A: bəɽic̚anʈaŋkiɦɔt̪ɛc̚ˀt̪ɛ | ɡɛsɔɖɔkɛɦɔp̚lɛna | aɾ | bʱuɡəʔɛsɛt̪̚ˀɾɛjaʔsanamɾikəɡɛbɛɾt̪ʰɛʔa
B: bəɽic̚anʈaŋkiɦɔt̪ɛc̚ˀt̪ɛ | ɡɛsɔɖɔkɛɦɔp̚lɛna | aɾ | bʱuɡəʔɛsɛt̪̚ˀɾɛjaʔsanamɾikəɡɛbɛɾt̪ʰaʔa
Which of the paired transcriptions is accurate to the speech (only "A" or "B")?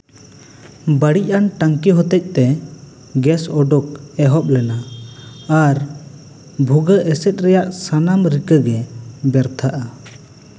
B